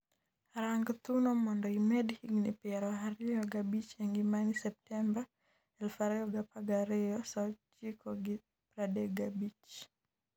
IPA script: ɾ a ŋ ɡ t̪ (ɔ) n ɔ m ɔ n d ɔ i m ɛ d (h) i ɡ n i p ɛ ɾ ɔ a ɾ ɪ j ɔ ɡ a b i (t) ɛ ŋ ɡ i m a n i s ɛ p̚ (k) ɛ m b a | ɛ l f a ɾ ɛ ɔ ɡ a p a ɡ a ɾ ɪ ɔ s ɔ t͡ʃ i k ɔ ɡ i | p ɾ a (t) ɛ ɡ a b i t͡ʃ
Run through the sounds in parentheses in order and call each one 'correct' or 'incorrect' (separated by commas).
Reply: incorrect, correct, incorrect, incorrect, incorrect